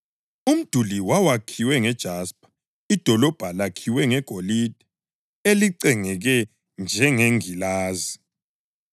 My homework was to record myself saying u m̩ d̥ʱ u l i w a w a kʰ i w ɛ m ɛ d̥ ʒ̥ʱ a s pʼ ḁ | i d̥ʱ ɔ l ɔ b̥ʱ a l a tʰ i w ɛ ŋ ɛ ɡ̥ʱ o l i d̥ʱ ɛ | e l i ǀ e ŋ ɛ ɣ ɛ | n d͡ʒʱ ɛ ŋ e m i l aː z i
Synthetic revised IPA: u m̩ d̥ʱ u l i w a w a kʰ i w ɛ ŋ ɛ d̥ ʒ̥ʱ a s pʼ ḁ | i d̥ʱ ɔ l ɔ b̥ʱ a l a kʰ i w ɛ ŋ ɛ ɡ̥ʱ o l i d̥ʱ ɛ | e l i ǀ ɛ ŋ ɛ ɣ ɛ | n d͡ʒʱ ɛ ŋ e ŋ i l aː z i

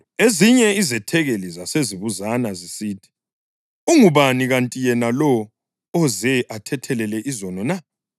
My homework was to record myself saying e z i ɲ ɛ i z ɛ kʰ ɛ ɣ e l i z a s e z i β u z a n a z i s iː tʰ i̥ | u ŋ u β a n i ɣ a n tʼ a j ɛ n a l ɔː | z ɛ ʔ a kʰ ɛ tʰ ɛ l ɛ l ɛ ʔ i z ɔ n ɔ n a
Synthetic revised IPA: e z i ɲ ɛ i z ɛ tʰ ɛ ɣ e l i z a s e z i β u z a n a z i s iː tʰ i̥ | u ŋ u β a n i ɣ a n tʼ i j ɛ n a l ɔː | z ɛ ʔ a tʰ ɛ tʰ ɛ l ɛ l ɛ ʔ i z ɔ n ɔ n a

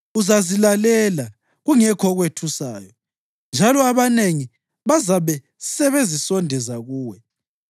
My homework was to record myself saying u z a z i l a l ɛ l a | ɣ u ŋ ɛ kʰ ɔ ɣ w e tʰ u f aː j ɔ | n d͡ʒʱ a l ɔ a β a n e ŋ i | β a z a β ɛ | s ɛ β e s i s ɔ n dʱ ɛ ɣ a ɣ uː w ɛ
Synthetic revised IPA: u z a z i l a l ɛ l a | ɣ u ŋ ɛ kʰ ɔ ɣ w e tʰ u s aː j ɔ | n d͡ʒʱ a l ɔ a β a n e ŋ i | β a z a β ɛ | s ɛ β e z i s ɔ n dʱ ɛ z a ɣ uː w ɛ

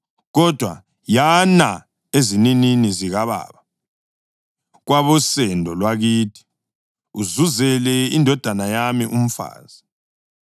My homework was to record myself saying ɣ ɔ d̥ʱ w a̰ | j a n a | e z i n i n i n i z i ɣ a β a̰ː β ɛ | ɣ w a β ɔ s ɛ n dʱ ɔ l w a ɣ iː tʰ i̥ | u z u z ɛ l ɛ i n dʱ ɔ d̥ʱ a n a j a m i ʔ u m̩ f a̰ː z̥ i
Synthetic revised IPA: ɣ ɔ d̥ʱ w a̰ | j a n a | e z i n i n i n i z i ɣ a β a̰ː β a | ɣ w a β ɔ s ɛ n dʱ ɔ l w a ɣ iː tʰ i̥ | u z u z ɛ l ɛ i n dʱ ɔ d̥ʱ a n a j a m i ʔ u m̩ f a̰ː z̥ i

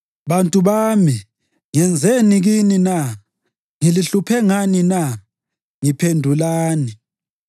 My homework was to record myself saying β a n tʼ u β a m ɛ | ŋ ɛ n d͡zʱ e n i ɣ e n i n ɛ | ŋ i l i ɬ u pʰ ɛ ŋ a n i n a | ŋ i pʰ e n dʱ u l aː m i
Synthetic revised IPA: β a n tʼ u β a m i | ŋ ɛ n d͡zʱ e n i ɣ i n i n a | ŋ i l i ɬ u pʰ ɛ ŋ a n i n a | ŋ i pʰ e n dʱ u l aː n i

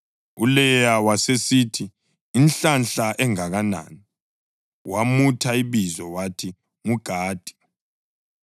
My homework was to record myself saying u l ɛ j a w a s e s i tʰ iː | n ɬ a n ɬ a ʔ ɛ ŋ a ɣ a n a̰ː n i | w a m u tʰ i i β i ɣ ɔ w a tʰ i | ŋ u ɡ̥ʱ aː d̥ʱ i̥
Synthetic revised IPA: u l ɛ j a w a s e s i tʰ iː | n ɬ a n ɬ a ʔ ɛ ŋ a ɣ a n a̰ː n i | w a m u tʰ a i β i z ɔ w a tʰ i | ŋ u ɡ̥ʱ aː d̥ʱ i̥

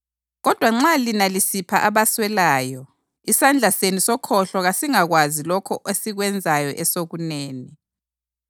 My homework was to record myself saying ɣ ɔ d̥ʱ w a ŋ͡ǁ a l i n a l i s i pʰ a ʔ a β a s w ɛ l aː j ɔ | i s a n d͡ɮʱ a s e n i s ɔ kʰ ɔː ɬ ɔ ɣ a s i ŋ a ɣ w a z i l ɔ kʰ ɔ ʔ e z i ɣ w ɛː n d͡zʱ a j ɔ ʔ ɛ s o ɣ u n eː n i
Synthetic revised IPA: ɣ ɔ d̥ʱ w a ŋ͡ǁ a l i n a l i s i pʰ a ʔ a β a s w ɛ l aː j ɔ | i s a n d͡ɮʱ a s e n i s ɔ kʰ ɔ ɬ ɔ ɣ a s i ŋ a ɣ w a z i l ɔ kʰ ɔ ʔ e s i ɣ w ɛ n d͡zʱ a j ɔ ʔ ɛ s o ɣ u n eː n i

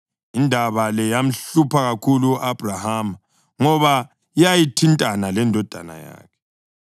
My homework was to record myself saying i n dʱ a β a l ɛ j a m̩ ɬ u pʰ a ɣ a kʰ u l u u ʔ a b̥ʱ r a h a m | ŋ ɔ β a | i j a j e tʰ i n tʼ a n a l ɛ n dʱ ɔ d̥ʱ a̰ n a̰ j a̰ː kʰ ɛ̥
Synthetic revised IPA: i n dʱ a β a l ɛ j a m̩ ɬ u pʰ a ɣ a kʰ u l u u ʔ a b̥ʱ r a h a m | ŋ ɔ β a | i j a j i tʰ i n tʼ a n a l ɛ n dʱ ɔ d̥ʱ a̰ n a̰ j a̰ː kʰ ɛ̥

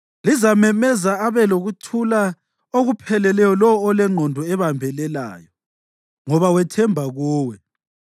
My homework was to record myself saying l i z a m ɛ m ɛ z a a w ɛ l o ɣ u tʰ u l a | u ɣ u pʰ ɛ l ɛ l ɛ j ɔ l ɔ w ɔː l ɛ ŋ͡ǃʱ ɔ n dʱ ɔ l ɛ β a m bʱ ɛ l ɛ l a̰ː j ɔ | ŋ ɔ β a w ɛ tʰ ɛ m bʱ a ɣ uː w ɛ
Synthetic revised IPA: l i z a m ɛ m ɛ z a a β ɛ l o ɣ u tʰ u l a | o ɣ u pʰ ɛ l ɛ l ɛ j ɔ l ɔ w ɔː l ɛ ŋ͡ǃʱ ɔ n dʱ ɔ ɛ β a m bʱ ɛ l ɛ l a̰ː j ɔ | ŋ ɔ β a w ɛ tʰ ɛ m bʱ a ɣ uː w ɛ

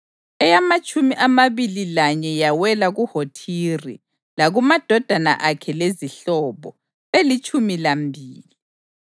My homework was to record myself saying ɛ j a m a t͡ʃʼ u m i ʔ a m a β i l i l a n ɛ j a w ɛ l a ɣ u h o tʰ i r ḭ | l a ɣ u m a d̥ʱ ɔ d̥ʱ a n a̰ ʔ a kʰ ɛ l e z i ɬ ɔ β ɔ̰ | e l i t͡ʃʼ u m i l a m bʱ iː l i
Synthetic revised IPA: ɛ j a m a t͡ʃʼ u m i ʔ a m a β i l i l a ɲ ɛ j a w ɛ l a ɣ u h o tʰ i r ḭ | l a ɣ u m a d̥ʱ ɔ d̥ʱ a n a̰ ʔ a kʰ ɛ l e z i ɬ ɔ β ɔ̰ | e l i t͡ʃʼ u m i l a m bʱ iː l i

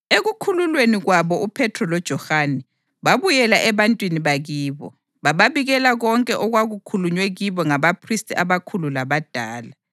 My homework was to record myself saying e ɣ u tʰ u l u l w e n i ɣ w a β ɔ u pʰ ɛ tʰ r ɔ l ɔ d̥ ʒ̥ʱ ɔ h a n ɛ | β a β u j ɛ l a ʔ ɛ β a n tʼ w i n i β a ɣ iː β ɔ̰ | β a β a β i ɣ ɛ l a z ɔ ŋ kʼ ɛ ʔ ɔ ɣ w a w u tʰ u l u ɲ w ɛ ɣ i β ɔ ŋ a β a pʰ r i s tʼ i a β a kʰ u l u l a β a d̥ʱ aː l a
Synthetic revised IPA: e ɣ u kʰ u l u l w e n i ɣ w a β ɔ u pʰ ɛ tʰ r ɔ l ɔ d̥ ʒ̥ʱ ɔ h a n ɛ | β a β u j ɛ l a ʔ ɛ β a n tʼ w i n i β a ɣ iː β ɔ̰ | β a β a β i ɣ ɛ l a ɣ ɔ ŋ kʼ ɛ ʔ ɔ ɣ w a ɣ u kʰ u l u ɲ w ɛ ɣ i β ɔ ŋ a β a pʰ r i s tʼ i a β a kʰ u l u l a β a d̥ʱ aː l a

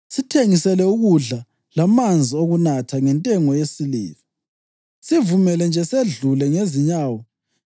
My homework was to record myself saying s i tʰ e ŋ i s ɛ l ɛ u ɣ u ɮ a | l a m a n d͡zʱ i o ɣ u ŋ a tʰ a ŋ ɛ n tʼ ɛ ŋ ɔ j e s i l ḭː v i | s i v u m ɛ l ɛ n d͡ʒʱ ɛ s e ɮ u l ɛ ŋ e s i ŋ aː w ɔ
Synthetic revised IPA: s i tʰ e ŋ i s ɛ l ɛ u ɣ u ɮ a | l a m a n d͡zʱ i o ɣ u n a tʰ a ŋ ɛ n tʼ ɛ ŋ ɔ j e s i l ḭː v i | s i v u m ɛ l ɛ n d͡ʒʱ ɛ s e ɮ u l ɛ ŋ e z i ɲ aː w ɔ

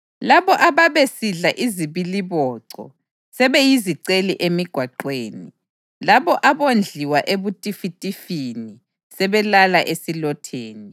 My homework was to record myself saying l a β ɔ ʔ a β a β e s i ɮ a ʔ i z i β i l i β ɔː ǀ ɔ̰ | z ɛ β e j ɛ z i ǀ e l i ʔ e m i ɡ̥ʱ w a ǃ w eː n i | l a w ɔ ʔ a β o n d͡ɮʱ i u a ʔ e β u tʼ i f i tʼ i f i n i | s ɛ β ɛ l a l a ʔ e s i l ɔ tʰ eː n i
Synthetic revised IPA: l a β ɔ ʔ a β a β e s i ɮ a ʔ i z i β i l i β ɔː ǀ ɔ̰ | s ɛ β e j i z i ǀ e l i ʔ e m i ɡ̥ʱ w a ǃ w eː n i | l a β ɔ ʔ a β o n d͡ɮʱ i w a ʔ e β u tʼ i f i tʼ i f i n i | s ɛ β ɛ l a l a ʔ e s i l ɔ tʰ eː n i

